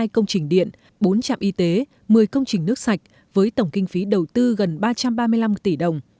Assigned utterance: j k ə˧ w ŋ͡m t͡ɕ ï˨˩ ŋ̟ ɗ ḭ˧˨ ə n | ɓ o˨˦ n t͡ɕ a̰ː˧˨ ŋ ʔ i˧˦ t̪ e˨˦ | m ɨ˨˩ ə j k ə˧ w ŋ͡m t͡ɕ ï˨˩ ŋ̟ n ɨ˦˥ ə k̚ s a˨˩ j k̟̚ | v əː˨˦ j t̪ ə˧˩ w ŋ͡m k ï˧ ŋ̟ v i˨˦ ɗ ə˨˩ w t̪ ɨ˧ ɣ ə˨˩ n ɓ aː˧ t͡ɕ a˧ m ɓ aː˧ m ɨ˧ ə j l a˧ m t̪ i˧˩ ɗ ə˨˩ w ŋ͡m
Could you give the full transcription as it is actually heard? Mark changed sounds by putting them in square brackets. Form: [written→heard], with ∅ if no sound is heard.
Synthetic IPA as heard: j k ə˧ w ŋ͡m t͡ɕ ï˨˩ ŋ̟ ɗ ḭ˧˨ ə n | ɓ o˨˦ n t͡ɕ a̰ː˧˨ [ŋ→m] ʔ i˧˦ t̪ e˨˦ | m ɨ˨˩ ə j k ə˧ w ŋ͡m t͡ɕ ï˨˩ ŋ̟ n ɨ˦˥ ə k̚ s a˨˩ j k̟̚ | v əː˨˦ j t̪ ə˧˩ w ŋ͡m k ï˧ ŋ̟ [v→f] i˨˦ ɗ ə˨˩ w t̪ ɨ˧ ɣ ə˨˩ n ɓ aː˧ t͡ɕ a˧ m ɓ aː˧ m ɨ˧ ə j l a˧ m t̪ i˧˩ ɗ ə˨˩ w ŋ͡m